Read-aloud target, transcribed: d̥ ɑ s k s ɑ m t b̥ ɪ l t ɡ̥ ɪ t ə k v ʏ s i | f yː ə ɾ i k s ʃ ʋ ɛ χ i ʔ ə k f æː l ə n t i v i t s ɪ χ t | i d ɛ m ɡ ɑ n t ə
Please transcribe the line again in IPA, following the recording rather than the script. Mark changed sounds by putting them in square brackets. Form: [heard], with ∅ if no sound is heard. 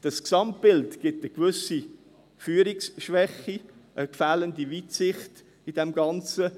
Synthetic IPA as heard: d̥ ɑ s k s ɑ m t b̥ ɪ l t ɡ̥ ɪ t ə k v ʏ s i | f yː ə ɾ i k s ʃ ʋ ɛ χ i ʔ ə k f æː l ə n [d] i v i t s ɪ χ t | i d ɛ m ɡ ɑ n [t͡s] ə